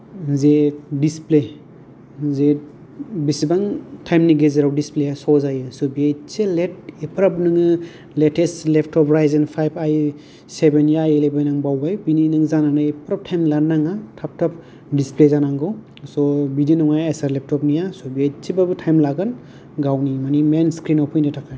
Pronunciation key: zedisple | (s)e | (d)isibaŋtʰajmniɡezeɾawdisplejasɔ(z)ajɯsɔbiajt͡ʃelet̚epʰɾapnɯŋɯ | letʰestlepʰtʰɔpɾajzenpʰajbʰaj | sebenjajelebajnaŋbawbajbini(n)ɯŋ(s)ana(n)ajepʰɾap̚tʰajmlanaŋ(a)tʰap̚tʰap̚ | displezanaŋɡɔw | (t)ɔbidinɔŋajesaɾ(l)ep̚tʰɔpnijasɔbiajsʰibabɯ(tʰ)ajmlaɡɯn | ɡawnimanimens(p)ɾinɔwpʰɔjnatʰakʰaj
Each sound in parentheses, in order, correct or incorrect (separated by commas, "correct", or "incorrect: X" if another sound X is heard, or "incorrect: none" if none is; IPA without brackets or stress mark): incorrect: z, incorrect: b, correct, correct, incorrect: z, correct, correct, incorrect: s, correct, correct, incorrect: k